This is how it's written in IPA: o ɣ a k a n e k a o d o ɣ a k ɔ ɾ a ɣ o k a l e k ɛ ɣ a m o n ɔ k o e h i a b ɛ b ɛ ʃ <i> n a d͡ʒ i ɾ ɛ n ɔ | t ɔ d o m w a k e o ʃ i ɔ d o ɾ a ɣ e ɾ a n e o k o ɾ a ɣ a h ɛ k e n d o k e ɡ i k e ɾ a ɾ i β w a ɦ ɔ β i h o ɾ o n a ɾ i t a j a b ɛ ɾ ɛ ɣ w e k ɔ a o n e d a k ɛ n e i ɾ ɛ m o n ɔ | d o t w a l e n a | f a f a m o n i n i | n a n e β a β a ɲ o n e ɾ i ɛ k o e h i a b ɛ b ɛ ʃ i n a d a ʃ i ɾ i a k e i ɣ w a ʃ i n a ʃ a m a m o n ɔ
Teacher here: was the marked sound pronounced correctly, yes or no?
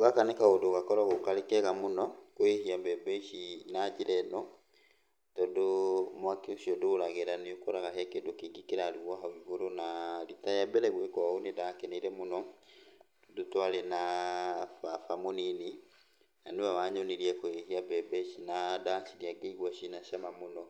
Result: yes